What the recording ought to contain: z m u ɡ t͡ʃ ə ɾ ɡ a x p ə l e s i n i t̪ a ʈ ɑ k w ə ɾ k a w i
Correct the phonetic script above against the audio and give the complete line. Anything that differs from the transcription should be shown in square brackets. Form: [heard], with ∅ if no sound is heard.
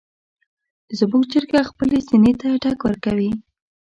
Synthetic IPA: z m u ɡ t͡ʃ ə ɾ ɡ a x p ə l e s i n [e] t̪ a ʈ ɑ k w ə ɾ k a w i